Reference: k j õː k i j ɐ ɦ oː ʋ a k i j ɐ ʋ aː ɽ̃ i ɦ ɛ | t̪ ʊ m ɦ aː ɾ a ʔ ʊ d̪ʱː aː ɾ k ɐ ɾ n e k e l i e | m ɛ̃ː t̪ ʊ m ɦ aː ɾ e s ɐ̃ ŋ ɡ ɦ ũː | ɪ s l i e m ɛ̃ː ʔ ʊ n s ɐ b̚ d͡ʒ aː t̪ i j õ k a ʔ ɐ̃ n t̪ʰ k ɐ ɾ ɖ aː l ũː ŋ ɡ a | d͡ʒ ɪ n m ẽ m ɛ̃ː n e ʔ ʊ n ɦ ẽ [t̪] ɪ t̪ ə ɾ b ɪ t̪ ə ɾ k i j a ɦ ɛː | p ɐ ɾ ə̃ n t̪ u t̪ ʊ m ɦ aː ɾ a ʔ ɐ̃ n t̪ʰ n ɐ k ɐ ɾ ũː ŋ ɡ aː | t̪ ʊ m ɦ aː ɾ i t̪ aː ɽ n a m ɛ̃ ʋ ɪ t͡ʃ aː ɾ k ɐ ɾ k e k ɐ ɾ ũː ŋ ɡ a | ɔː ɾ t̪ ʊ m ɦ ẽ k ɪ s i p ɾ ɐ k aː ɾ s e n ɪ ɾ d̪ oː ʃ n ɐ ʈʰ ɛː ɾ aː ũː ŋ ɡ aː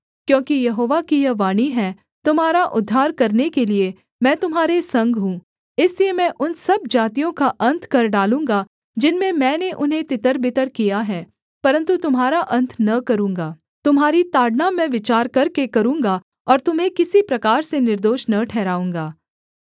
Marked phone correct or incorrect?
correct